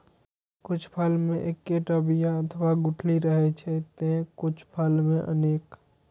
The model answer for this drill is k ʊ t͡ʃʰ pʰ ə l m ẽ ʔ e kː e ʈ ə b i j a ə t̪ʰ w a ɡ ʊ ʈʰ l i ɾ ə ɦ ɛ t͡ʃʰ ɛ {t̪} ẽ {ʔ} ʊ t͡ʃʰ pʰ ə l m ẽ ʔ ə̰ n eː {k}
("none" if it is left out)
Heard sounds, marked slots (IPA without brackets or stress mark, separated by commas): t̪, k, k